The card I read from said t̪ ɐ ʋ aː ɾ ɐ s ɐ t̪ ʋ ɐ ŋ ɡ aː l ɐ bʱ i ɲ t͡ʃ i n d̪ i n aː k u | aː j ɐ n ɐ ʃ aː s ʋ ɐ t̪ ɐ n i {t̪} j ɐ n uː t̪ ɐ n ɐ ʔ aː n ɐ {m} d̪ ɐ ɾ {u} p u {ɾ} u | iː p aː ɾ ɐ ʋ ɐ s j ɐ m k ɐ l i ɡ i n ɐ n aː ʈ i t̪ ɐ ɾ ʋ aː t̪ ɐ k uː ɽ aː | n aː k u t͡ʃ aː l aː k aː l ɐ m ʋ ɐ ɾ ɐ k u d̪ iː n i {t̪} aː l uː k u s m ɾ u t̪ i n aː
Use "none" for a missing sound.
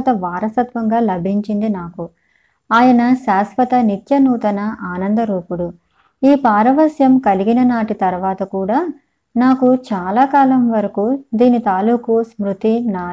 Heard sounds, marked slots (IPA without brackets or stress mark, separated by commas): t̪, n, uː, ɽ, t̪